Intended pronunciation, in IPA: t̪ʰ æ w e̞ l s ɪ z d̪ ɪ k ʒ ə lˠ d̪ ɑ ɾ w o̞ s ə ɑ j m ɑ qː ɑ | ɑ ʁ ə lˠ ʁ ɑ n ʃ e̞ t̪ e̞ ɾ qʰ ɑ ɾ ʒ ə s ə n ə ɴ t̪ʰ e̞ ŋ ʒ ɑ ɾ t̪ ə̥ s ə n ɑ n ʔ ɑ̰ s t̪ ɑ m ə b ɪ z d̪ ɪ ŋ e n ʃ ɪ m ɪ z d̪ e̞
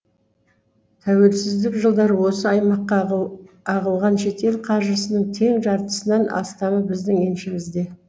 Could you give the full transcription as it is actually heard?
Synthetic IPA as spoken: t̪ʰ æ w e̞ l s ɪ z d̪ ɪ k ʒ ə lˠ d̪ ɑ ɾ w o̞ s ə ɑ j m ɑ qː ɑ | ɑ ʁ ə lˠ ʁ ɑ n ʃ e̞ t̪ e̞ l qʰ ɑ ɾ ʒ ə s ə n ə ɴ t̪ʰ e̞ ŋ ʒ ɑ ɾ t̪ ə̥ s ə n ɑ n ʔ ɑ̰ s t̪ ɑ m ə b ɪ z d̪ ɪ ŋ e n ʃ ɪ m ɪ z d̪ e̞

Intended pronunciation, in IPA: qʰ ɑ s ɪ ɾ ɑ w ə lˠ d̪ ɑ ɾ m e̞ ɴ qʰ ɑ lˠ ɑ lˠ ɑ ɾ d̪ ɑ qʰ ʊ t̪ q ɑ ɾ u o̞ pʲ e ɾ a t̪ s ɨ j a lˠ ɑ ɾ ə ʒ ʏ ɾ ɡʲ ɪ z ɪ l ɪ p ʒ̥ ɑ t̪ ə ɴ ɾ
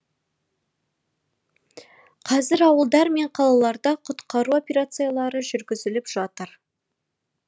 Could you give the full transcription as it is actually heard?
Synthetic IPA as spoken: qʰ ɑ z ɪ ɾ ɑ w ə lˠ d̪ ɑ ɾ m e̞ ɴ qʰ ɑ lˠ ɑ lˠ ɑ ɾ d̪ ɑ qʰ ʊ t̪ q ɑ ɾ u o̞ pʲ e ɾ a t̪ s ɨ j a lˠ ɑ ɾ ə ʒ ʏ ɾ ɡʲ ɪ z ɪ l ɪ p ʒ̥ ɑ t̪ ə ɾ

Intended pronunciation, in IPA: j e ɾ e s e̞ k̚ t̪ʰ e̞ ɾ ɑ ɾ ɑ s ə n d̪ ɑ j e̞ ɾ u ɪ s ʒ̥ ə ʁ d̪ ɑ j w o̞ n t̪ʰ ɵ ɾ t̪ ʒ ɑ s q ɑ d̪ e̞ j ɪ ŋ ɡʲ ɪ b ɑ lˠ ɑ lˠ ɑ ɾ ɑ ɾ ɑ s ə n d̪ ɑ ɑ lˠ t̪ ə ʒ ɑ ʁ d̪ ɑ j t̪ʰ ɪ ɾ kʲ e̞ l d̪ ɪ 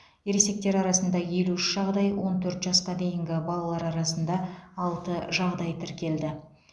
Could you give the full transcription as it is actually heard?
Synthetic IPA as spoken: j e ɾ e s e̞ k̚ t̪ e̞ ɾ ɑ ɾ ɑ s ə n d̪ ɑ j e̞ l u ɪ ʃ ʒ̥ ɑ ʁ d̪ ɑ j w o̞ n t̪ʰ ɵ ɾ t̪ ʒ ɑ s q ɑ d̪ e̞ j ɪ ŋ ɡʲ ɪ b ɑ lˠ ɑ lˠ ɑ ɾ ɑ ɾ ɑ s ə n d̪ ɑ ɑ lˠ t̪ ə ʒ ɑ ʁ d̪ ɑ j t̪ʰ ɪ ɾ kʲ e̞ l d̪ ɪ

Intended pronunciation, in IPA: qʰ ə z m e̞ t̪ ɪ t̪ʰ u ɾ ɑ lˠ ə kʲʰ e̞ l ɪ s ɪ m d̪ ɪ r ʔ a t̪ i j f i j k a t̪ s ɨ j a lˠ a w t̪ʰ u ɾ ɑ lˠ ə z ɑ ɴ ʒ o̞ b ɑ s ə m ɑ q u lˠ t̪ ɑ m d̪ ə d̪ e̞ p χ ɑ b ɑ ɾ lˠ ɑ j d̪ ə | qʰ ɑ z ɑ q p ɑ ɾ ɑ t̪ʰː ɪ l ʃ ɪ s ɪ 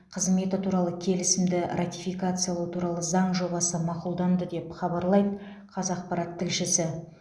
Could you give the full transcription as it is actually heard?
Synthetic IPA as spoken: qʰ ə z m e̞ t̪ ɪ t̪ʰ u ɾ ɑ lˠ ə kʲʰ e̞ l ɪ s ɪ m d̪ ɪ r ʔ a t̪ i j f i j k a t̪ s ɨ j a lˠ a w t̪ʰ u ɾ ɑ lˠ ə z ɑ ɴ ʒ o̞ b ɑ s ə m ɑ q u lˠ d̪ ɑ n d̪ ə d̪ e̞ p χ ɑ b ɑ ɾ lˠ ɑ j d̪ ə | qʰ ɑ z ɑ q p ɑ ɾ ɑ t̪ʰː ɪ l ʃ ɪ s ɪ

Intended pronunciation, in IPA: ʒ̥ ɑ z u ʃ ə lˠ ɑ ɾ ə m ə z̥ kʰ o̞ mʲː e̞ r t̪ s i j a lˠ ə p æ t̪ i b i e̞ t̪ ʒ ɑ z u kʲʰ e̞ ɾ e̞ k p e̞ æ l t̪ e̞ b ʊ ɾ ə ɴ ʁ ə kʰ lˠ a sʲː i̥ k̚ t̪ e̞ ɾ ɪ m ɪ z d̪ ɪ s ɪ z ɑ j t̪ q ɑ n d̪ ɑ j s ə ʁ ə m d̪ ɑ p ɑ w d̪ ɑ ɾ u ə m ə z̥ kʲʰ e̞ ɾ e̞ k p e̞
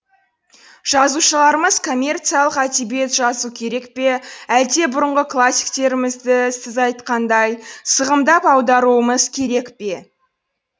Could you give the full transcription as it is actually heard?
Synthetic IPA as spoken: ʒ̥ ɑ z u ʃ ə lˠ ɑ ɾ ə m ə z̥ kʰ o̞ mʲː e̞ r t̪ s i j a lˠ ə q æ t̪ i b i e̞ t̪ ʒ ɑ z u kʲʰ e̞ ɾ e̞ k p e̞ æ l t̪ e̞ b ʊ ɾ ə ɴ ʁ ə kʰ lˠ a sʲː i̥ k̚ t̪ e̞ ɾ ɪ m ɪ z d̪ ɪ s ɪ z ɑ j t̪ q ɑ n d̪ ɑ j s ə ʁ ə m d̪ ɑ p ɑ w d̪ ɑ ɾ u ə m ə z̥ kʲʰ e̞ ɾ e̞ k p e̞

